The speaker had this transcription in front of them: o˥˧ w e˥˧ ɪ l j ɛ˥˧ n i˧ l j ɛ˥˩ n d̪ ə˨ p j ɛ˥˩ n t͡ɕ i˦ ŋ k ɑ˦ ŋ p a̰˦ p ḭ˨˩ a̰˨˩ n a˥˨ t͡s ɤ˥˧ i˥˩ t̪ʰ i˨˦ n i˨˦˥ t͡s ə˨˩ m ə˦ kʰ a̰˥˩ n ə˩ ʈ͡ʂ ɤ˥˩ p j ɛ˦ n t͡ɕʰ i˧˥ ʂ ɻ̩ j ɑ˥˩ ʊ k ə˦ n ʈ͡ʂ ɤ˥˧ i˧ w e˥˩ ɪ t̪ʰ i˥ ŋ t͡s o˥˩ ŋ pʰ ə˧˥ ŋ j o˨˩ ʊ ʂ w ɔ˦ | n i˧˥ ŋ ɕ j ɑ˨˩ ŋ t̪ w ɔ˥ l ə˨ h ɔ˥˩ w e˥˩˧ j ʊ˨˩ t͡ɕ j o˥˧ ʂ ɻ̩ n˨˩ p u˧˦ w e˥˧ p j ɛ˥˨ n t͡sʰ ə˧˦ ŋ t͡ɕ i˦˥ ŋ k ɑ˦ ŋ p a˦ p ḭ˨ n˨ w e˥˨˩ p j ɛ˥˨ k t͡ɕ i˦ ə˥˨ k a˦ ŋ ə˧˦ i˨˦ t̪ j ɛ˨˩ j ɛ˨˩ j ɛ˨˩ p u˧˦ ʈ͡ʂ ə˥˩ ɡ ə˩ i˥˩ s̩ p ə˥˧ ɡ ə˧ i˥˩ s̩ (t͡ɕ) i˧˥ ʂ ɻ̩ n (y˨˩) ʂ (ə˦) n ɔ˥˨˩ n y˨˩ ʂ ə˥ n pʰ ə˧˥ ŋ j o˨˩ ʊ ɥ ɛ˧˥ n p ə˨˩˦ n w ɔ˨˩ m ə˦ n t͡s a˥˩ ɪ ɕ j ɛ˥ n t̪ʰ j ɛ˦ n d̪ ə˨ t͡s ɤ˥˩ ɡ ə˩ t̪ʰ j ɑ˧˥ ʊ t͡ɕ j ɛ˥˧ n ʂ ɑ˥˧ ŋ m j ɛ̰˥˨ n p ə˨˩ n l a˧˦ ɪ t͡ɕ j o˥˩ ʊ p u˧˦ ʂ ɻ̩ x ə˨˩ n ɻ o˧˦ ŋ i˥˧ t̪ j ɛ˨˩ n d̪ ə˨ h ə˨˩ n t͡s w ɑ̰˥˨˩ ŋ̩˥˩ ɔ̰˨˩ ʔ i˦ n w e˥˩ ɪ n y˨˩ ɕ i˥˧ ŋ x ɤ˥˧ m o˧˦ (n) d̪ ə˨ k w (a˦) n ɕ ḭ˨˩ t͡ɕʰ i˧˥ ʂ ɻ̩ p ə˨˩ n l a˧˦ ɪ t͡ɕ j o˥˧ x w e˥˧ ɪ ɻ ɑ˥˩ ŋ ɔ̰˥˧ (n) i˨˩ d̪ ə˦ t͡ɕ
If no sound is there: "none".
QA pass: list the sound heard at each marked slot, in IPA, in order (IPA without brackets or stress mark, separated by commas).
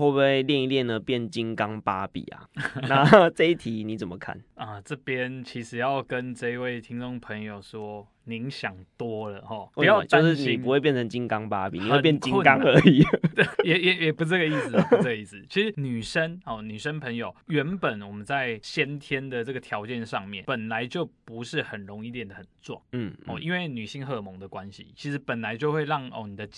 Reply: t͡ɕʰ, y˨˩, ə˦, ŋ, a˦, n